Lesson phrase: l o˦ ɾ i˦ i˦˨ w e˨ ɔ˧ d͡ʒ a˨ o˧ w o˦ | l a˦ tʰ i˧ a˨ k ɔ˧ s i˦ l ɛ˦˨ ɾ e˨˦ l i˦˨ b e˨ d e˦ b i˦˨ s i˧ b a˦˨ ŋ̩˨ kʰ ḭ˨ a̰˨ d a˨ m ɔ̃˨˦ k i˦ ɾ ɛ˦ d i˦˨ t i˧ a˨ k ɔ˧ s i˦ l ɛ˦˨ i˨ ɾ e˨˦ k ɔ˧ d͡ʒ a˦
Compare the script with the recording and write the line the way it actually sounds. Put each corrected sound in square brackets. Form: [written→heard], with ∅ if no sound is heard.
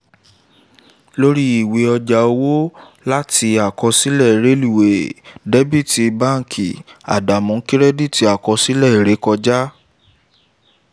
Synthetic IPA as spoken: l o˦ ɾ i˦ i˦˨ w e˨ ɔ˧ d͡ʒ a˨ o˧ w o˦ | l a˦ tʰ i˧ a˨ k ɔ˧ s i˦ l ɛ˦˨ ɾ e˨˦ l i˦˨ [b→w] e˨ d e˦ b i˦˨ [s→t] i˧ b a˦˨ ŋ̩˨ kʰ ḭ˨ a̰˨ d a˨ m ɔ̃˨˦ k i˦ ɾ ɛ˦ d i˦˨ t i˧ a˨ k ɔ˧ s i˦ l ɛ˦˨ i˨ ɾ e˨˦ k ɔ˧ d͡ʒ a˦

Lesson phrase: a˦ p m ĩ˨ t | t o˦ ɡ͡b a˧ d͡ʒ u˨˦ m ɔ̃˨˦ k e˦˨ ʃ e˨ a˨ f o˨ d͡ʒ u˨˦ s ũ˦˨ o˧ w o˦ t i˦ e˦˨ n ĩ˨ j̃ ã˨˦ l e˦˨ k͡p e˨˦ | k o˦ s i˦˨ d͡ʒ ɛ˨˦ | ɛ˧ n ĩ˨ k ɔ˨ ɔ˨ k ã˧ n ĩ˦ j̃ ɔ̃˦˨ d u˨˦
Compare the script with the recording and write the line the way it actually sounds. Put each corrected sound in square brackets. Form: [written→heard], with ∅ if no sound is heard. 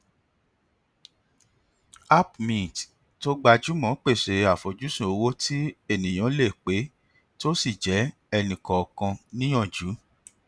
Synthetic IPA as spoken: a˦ p m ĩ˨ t | t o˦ ɡ͡b a˧ d͡ʒ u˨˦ m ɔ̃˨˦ [k→k͡p] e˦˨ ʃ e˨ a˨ f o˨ d͡ʒ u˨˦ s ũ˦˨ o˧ w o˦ t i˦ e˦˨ n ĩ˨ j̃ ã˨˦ l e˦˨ k͡p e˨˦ | [k→t] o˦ s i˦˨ d͡ʒ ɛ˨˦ | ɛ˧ n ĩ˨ k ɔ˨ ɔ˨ k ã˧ n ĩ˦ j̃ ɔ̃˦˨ [d→d͡ʒ] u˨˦

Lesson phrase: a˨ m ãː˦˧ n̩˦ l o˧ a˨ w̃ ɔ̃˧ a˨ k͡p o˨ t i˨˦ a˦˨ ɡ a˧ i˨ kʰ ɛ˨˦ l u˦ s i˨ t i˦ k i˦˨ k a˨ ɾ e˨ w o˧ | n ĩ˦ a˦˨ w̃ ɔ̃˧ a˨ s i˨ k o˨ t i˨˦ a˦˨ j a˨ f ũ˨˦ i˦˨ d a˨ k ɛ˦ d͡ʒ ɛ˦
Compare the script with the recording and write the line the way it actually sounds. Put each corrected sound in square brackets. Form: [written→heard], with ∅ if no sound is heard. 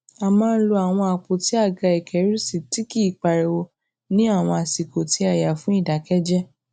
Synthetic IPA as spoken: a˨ m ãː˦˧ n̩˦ l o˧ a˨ w̃ ɔ̃˧ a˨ k͡p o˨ t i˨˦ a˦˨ ɡ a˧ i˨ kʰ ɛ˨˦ [l→ɾ] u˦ s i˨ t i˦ k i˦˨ [k→k͡p] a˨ ɾ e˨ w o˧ | n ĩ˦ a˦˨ w̃ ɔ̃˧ a˨ s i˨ k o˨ t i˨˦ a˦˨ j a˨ f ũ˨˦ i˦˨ d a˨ k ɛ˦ d͡ʒ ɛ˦

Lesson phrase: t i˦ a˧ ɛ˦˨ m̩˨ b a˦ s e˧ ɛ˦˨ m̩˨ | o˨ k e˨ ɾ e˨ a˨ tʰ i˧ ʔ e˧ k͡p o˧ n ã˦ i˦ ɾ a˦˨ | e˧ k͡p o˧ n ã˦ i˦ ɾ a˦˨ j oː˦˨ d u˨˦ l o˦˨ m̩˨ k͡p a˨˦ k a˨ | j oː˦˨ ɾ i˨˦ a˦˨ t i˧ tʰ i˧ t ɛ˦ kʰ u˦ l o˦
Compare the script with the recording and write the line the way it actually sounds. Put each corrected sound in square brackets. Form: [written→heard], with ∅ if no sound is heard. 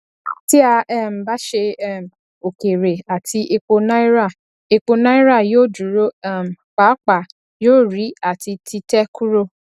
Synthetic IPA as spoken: t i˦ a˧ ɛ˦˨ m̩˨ b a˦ [s→ʃ] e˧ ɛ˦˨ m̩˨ | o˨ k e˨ ɾ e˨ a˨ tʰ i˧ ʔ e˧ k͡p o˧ n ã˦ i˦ ɾ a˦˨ | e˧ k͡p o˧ n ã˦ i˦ ɾ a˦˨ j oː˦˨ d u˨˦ [l→ɾ] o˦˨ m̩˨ k͡p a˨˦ [k→k͡p] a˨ | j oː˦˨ ɾ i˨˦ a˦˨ t i˧ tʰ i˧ t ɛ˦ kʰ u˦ [l→ɾ] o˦

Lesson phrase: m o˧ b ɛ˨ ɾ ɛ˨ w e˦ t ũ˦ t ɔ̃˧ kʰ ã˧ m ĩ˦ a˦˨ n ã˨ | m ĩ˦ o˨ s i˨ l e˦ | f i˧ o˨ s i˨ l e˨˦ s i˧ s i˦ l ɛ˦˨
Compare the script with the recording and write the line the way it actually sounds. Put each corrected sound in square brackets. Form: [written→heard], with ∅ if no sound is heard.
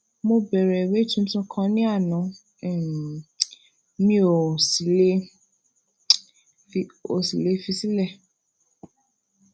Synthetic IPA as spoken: m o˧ b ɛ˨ ɾ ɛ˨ w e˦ t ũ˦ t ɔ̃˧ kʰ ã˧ [m→n] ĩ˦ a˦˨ n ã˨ | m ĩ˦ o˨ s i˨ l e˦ | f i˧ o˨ s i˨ l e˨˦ [s→f] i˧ s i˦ l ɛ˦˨

